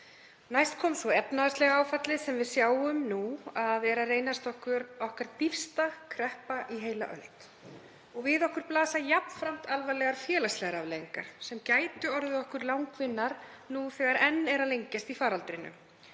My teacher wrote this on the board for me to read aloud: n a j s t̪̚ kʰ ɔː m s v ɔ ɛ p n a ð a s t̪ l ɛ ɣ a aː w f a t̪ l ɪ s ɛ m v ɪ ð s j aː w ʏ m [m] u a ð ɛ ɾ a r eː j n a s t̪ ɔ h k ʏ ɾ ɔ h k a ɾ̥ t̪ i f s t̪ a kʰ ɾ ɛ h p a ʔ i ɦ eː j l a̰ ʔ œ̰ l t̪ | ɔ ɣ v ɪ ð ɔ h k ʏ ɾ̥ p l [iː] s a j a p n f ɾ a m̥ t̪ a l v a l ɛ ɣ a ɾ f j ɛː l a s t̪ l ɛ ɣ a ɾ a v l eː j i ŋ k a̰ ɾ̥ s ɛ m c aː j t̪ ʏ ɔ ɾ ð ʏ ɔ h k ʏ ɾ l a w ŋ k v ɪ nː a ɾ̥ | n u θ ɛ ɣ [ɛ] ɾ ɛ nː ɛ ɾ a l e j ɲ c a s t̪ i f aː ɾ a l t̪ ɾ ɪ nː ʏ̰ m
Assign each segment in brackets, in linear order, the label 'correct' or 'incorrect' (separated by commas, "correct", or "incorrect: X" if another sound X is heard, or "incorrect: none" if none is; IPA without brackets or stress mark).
incorrect: n, incorrect: aː, incorrect: a